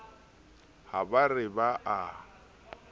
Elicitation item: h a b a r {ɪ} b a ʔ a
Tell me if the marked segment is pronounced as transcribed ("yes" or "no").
yes